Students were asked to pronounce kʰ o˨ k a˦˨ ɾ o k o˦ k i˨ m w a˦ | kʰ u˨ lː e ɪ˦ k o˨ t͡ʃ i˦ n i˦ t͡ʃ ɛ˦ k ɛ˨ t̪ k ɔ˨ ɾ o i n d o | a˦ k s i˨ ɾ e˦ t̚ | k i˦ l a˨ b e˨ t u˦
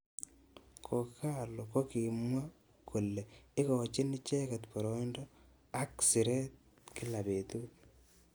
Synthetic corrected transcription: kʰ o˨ k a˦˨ l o k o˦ k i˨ m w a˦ | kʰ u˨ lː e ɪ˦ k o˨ t͡ʃ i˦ n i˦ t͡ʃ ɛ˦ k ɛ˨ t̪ p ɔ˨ ɾ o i n d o | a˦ k s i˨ ɾ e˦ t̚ | k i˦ l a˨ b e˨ t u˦